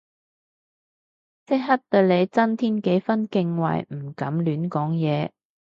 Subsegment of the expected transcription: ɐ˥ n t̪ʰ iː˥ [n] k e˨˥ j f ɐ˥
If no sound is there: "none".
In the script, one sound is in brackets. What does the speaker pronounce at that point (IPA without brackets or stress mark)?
n